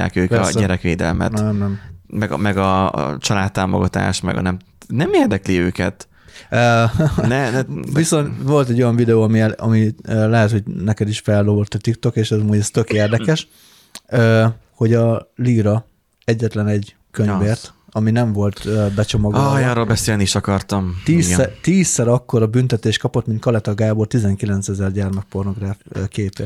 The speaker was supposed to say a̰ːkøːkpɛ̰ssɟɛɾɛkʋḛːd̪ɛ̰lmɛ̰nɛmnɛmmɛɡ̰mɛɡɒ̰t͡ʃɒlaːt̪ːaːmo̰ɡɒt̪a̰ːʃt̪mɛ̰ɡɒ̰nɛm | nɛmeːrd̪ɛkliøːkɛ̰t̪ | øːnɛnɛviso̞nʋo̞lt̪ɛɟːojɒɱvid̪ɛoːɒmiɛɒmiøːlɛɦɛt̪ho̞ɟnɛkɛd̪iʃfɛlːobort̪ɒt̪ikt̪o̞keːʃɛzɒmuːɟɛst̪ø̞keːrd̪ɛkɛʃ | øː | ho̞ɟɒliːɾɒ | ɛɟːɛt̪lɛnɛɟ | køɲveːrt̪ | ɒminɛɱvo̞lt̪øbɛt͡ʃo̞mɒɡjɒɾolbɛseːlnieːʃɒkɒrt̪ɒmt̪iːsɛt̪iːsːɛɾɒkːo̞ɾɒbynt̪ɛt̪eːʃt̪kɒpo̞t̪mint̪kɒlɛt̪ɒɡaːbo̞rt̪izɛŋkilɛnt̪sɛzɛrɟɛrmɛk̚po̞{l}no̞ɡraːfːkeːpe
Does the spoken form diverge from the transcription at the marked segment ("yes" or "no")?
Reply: yes